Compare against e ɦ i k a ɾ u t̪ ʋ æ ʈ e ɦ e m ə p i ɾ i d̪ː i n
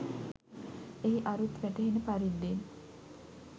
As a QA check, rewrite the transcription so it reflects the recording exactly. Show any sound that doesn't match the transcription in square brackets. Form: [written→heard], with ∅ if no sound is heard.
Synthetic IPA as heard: e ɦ i [k→ʔ] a ɾ u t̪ ʋ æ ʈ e ɦ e [m→n] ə p [i→a] ɾ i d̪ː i n